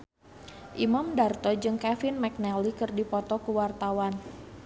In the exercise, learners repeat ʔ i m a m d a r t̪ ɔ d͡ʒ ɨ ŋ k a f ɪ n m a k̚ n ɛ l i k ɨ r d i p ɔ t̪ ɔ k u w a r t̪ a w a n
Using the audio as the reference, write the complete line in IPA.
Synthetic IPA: ʔ i m a m d a r t̪ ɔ d͡ʒ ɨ ŋ k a f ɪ n m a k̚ n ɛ l i k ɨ r d i p ɔ t̪ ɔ k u w a r t̪ a w a n

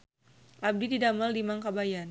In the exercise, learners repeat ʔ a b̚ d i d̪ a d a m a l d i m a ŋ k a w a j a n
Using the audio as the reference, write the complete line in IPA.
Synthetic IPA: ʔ a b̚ d i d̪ i d a m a l d i m a ŋ k a b a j a n

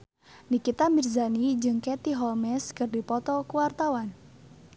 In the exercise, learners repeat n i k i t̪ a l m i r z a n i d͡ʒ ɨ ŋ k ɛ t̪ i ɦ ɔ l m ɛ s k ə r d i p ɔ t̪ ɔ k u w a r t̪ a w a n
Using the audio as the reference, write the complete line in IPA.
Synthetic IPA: n i k i t̪ a m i r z a n i d͡ʒ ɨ ŋ k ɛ t̪ i ɦ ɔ l m ɛ s k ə r d i p ɔ t̪ ɔ k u w a r t̪ a w a n

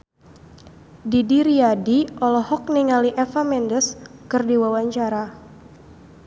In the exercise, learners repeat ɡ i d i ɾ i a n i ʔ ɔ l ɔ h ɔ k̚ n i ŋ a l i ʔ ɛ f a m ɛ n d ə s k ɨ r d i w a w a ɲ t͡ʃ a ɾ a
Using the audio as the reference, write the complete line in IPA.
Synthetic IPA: d i d i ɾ i a d i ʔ ɔ l ɔ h ɔ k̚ n i ŋ a l i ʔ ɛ f a m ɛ n d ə s k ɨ r d i w a w a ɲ t͡ʃ a ɾ a

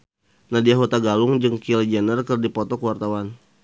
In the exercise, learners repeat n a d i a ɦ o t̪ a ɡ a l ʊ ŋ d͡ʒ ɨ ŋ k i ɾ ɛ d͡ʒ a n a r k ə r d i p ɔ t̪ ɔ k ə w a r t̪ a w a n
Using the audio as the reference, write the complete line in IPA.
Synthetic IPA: n a d i a ɦ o t̪ a ɡ a l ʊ ŋ d͡ʒ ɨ ŋ k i l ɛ d͡ʒ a n ə r k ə r d i p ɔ t̪ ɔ k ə w a r t̪ a w a n

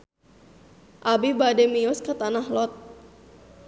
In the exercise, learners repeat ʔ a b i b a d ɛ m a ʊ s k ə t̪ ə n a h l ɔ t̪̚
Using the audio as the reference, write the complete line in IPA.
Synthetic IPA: ʔ a b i b a d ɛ m i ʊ s k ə t̪ a n a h l ɔ t̪̚

